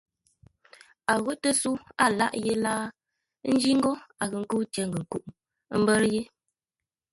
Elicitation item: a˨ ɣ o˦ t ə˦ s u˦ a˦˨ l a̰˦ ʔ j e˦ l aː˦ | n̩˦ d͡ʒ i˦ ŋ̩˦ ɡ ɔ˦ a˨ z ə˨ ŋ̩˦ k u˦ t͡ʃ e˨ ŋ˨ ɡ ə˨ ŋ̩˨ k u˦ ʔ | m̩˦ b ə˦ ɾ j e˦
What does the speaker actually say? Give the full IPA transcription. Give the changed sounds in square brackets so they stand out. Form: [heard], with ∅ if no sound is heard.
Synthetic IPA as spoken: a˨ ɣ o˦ t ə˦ s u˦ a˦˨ l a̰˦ ʔ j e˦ l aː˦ | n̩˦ d͡ʒ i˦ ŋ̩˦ ɡ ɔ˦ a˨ [ɣ] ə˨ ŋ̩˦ k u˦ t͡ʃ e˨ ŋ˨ ɡ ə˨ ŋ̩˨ k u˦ ʔ | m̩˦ b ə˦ ɾ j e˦